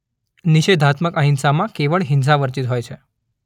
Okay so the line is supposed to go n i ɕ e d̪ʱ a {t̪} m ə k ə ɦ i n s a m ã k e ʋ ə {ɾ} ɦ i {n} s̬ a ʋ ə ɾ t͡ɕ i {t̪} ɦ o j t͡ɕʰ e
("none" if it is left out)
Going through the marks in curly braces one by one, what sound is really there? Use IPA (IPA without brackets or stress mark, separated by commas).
t̪, ɭ, n, t̪